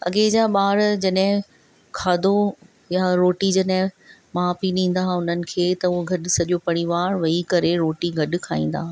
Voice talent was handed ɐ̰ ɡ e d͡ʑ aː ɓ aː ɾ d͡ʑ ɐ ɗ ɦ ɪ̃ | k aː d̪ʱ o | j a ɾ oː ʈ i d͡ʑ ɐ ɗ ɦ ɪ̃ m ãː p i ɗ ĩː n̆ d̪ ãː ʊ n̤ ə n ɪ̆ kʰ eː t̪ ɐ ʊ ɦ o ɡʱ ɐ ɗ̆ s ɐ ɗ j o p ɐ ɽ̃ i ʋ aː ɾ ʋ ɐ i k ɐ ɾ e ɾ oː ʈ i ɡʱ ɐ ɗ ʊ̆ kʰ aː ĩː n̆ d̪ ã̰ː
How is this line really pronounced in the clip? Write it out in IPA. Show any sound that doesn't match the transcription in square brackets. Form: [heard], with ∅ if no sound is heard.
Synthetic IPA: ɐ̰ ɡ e d͡ʑ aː ɓ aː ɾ d͡ʑ ɐ ɗ ɦ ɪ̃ | [kʰ] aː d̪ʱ o | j a ɾ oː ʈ i d͡ʑ ɐ ɗ ɦ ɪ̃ m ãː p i ɗ ĩː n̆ d̪ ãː ʊ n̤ ə n ɪ̆ kʰ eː t̪ ɐ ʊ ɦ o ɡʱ ɐ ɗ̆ s ɐ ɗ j o p ɐ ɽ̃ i ʋ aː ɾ ʋ ɐ i k ɐ ɾ e ɾ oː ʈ i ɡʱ ɐ ɗ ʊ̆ kʰ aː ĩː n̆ d̪ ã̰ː